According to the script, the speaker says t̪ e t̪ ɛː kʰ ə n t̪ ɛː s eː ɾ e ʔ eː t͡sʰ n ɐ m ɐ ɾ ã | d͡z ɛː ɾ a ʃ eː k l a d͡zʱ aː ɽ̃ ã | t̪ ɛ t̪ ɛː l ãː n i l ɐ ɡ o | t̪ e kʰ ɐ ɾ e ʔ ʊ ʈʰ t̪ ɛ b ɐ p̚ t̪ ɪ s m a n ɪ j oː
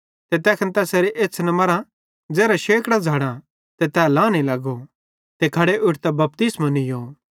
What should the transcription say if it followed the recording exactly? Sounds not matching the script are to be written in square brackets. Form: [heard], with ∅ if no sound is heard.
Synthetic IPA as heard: t̪ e t̪ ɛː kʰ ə n t̪ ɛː s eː ɾ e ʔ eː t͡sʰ n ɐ m ɐ ɾ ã | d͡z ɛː ɾ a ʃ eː k [ɽ] a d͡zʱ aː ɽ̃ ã | t̪ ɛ t̪ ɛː l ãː n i l ɐ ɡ o | t̪ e kʰ ɐ [ɽ] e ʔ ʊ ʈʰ t̪ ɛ b ɐ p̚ t̪ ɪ s m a n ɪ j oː

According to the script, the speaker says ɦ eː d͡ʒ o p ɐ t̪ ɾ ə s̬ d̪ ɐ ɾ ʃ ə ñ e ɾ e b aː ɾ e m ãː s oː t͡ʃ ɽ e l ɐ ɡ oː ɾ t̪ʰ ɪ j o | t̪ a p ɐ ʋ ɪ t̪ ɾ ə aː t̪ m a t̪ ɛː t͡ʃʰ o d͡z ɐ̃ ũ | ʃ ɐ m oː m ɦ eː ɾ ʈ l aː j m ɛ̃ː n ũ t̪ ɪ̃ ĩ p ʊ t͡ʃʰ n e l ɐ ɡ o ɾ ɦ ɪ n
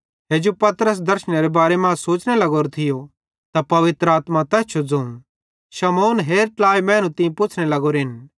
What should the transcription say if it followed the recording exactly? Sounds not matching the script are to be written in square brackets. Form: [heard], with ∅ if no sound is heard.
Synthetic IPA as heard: ɦ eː d͡ʒ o p ɐ t̪ ɾ ə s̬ d̪ ɐ ɾ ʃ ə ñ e ɾ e b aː ɾ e m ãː s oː t͡ʃ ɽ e l ɐ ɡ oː ɾ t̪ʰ ɪ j o | t̪ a p ɐ ʋ ɪ t̪ ɾ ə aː t̪ m a t̪ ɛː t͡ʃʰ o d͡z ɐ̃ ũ | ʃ ɐ m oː [n] ɦ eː ɾ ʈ l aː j m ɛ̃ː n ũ t̪ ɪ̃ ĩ p ʊ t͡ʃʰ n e l ɐ ɡ o ɾ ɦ ɪ n

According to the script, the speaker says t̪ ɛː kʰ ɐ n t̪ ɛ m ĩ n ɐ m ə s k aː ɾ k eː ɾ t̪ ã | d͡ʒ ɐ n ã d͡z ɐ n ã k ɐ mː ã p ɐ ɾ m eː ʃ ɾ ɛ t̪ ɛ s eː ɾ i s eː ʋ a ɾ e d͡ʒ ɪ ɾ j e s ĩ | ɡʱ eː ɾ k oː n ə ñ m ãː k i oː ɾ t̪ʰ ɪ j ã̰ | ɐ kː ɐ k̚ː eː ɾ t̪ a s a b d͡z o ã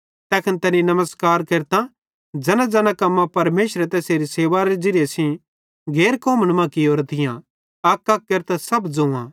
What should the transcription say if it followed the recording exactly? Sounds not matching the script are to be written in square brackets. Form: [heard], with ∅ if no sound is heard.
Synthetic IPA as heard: t̪ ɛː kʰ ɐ n t̪ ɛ [n] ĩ n ɐ m ə s k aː ɾ k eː ɾ t̪ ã | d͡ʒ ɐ n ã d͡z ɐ n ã k ɐ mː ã p ɐ ɾ m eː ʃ ɾ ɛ t̪ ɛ s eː ɾ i s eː ʋ a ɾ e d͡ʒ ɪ ɾ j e s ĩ | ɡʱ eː ɾ k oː [m] ə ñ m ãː k i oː ɾ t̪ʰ ɪ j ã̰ | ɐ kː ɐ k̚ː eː ɾ t̪ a s [ɐ] b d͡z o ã

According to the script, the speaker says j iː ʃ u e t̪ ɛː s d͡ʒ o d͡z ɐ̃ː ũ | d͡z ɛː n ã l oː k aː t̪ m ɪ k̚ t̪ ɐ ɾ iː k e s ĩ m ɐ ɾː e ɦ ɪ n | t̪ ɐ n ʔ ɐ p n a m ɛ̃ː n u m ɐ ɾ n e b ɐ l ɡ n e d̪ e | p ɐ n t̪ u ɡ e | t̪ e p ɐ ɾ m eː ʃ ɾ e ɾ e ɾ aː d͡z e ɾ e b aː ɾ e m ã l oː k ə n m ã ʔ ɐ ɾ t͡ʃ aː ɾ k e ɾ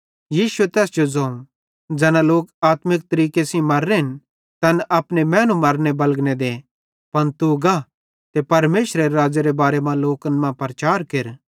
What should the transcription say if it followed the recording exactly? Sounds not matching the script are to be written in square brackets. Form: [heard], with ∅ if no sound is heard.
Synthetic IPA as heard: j iː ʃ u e t̪ ɛː s d͡ʒ o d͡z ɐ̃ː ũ | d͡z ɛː n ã l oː k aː t̪ m ɪ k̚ t̪ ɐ ɾ iː k e s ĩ m ɐ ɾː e ɦ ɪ n | t̪ ɐ n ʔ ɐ p n [e] m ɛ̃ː n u m ɐ ɾ n e b ɐ l ɡ n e d̪ e | p ɐ n t̪ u ɡ [a] | t̪ e p ɐ ɾ m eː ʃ ɾ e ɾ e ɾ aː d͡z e ɾ e b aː ɾ e m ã l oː k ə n m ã [p] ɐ ɾ t͡ʃ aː ɾ k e ɾ

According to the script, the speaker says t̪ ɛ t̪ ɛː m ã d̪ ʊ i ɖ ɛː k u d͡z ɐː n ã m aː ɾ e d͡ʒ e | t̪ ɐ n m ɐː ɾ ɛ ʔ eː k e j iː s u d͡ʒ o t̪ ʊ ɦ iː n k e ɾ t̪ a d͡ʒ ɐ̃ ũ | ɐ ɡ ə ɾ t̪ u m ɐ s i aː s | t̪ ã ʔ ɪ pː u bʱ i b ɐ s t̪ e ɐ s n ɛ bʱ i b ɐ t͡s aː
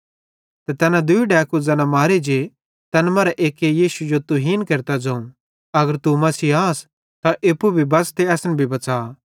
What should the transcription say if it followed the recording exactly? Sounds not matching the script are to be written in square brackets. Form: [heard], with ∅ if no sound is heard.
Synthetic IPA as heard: t̪ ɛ t̪ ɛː [n] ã d̪ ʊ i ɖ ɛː k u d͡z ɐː n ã m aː ɾ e d͡ʒ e | t̪ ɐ n m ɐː ɾ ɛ ʔ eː k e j iː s u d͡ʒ o t̪ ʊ ɦ iː n k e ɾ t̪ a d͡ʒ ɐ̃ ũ | ɐ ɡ ə ɾ t̪ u m ɐ s i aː s | t̪ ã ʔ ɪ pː u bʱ i b ɐ s t̪ e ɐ s n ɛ bʱ i b ɐ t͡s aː

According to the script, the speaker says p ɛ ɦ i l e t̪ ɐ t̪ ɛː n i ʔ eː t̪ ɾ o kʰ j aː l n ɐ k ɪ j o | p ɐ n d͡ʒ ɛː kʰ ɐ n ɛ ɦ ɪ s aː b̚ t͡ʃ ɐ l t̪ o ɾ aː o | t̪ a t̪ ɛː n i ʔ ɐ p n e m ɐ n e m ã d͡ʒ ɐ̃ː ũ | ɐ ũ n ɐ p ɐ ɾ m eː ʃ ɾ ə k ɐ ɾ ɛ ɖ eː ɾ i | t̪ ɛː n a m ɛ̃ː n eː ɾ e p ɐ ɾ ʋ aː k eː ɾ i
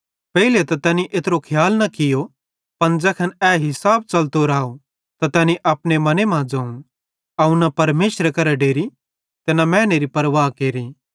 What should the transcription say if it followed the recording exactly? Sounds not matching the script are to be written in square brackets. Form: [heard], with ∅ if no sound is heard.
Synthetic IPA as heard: p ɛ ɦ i l e t̪ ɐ t̪ ɛː n i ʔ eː t̪ ɾ o kʰ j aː l n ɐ k ɪ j o | p ɐ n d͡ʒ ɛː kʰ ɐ n ɛ ɦ ɪ s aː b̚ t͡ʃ ɐ l t̪ o ɾ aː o | t̪ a t̪ ɛː n i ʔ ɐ p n e m ɐ n e m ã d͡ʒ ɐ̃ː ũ | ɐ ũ n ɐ p ɐ ɾ m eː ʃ ɾ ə k ɐ ɾ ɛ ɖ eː ɾ i | t̪ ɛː n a m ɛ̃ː n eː ɾ [i] p ɐ ɾ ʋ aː k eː ɾ i

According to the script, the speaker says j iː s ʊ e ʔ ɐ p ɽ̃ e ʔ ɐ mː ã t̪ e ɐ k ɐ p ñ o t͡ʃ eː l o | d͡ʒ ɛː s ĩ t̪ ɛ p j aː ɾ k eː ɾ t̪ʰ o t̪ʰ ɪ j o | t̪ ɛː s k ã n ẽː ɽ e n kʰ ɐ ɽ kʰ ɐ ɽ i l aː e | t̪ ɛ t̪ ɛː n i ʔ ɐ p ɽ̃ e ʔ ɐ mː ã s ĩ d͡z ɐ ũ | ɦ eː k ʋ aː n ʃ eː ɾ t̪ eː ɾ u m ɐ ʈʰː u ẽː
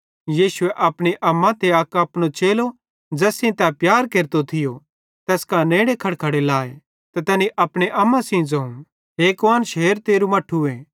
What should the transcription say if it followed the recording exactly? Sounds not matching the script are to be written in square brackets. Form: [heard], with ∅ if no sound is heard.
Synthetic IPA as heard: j iː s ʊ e ʔ ɐ p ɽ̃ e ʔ ɐ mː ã t̪ e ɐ k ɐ p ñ o t͡ʃ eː l o | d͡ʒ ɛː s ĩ t̪ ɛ p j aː ɾ k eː ɾ [t̪] o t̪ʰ ɪ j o | t̪ ɛː s k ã n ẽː ɽ e [∅] kʰ ɐ ɽ kʰ ɐ ɽ [e] l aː e | t̪ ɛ t̪ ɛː n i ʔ ɐ p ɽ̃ e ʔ ɐ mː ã s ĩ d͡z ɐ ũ | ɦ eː k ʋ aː n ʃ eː ɾ t̪ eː ɾ u m ɐ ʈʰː u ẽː

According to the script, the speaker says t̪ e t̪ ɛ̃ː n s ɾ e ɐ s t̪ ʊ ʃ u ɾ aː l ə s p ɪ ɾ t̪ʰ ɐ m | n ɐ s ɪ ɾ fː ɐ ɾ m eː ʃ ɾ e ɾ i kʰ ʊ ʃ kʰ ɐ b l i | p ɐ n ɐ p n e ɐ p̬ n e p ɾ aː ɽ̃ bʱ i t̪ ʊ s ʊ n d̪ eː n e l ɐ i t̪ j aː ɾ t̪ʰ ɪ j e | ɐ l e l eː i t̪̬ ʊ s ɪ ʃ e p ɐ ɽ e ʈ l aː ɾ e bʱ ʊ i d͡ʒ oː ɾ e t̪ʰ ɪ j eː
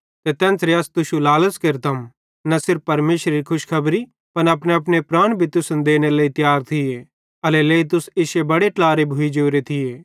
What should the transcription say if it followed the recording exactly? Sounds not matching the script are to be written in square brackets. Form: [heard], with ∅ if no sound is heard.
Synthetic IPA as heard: t̪ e t̪ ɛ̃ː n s ɾ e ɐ s t̪ ʊ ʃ u [l] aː l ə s [k] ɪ ɾ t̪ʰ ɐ m | n ɐ s ɪ ɾ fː ɐ ɾ m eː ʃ ɾ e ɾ i kʰ ʊ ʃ kʰ ɐ b [ɾ] i | p ɐ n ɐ p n e ɐ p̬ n e p ɾ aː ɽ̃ bʱ i t̪ ʊ s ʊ n d̪ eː n e l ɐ i t̪ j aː ɾ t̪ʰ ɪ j e | ɐ l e l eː i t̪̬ ʊ s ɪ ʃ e [b] ɐ ɽ e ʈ l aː ɾ e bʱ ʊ i d͡ʒ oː ɾ e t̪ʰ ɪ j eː

